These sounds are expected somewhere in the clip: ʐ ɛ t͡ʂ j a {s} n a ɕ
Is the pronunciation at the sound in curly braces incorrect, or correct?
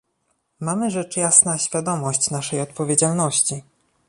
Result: correct